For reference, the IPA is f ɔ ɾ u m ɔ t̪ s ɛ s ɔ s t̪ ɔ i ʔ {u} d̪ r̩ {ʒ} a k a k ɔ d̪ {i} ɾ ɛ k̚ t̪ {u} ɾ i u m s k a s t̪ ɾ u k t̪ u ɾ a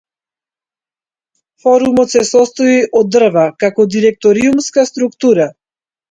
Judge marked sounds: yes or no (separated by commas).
no, no, yes, no